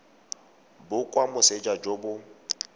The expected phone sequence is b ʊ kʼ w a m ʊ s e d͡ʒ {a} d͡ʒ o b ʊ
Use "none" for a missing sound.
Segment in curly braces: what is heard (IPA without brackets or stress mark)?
a